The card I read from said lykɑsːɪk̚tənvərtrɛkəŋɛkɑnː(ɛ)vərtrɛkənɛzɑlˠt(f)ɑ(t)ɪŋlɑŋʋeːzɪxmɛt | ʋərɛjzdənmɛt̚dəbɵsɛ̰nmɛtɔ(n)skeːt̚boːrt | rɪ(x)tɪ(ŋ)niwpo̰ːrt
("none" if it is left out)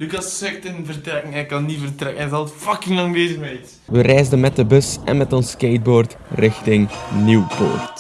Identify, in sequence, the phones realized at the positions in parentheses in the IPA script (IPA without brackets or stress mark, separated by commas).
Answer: i, f, k, n, x, ŋ